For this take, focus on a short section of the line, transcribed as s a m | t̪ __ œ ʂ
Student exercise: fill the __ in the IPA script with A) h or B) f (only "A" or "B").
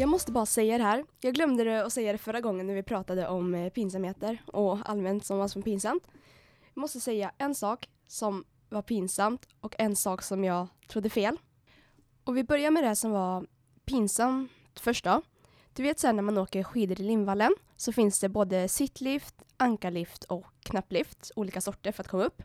B